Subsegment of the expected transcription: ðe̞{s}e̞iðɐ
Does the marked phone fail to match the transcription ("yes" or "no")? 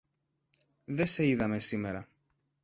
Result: no